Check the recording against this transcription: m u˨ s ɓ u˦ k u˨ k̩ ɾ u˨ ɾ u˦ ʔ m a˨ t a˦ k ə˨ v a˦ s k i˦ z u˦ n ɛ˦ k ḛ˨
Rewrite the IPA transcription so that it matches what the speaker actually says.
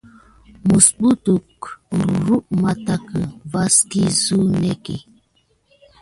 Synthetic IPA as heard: m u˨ s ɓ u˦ t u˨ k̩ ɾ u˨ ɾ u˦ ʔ m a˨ t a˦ k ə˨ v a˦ s k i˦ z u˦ n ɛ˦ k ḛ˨